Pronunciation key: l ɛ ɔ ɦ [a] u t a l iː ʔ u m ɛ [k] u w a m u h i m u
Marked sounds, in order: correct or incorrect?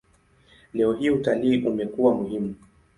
incorrect: i, correct

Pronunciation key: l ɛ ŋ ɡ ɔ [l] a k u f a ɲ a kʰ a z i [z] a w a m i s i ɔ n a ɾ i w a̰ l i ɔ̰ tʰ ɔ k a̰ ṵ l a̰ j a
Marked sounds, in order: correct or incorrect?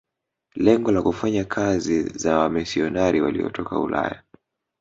correct, correct

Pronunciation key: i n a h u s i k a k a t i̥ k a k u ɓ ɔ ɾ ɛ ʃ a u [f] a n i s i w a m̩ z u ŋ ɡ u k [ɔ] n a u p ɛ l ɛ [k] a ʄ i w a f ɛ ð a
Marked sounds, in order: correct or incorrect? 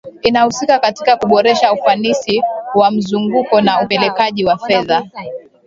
correct, correct, correct

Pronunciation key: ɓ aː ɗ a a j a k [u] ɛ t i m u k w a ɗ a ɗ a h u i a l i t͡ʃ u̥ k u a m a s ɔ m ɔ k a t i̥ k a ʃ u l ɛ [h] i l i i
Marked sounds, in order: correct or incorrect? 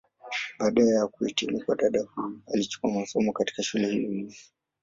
correct, correct

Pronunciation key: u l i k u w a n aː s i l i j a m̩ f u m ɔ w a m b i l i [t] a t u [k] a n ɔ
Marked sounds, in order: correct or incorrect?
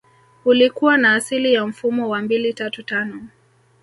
correct, incorrect: t

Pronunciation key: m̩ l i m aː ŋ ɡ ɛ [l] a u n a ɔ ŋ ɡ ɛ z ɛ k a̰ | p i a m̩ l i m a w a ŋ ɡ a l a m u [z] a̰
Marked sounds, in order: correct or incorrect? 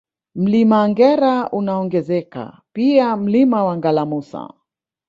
incorrect: ɾ, incorrect: s

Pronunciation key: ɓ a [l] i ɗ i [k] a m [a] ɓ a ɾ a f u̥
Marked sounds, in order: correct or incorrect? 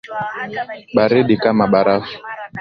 incorrect: ɾ, correct, correct

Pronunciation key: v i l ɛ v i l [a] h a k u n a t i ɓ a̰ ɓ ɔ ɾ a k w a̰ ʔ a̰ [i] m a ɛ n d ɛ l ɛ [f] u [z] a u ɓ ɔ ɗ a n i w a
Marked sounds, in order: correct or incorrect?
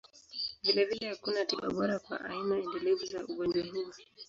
incorrect: ɛ, correct, incorrect: v, correct

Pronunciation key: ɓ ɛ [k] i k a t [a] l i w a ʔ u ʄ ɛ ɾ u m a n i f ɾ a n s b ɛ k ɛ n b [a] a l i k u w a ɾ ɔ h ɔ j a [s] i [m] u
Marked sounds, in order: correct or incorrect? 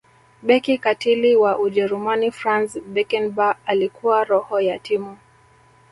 correct, incorrect: i, correct, incorrect: t, correct

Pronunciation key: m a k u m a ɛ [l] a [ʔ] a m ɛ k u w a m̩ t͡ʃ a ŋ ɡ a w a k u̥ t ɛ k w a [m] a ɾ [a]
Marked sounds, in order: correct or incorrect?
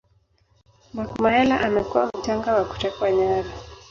correct, correct, incorrect: ɲ, correct

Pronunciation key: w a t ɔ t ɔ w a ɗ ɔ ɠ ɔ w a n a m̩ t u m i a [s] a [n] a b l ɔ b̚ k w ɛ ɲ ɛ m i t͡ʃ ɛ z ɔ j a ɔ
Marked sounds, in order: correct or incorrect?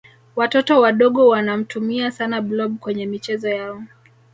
correct, correct

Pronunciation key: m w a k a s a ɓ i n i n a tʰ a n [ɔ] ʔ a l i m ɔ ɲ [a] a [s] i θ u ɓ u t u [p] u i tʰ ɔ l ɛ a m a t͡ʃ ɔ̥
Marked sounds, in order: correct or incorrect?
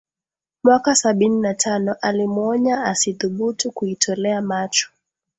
correct, correct, correct, incorrect: k

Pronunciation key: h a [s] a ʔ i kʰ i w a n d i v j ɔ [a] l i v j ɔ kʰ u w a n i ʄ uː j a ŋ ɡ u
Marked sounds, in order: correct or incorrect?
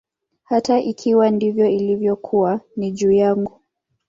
incorrect: t, incorrect: i

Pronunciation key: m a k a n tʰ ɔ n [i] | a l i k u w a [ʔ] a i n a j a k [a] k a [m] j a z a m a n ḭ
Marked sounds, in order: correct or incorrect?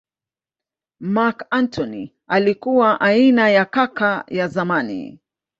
correct, correct, correct, incorrect: none

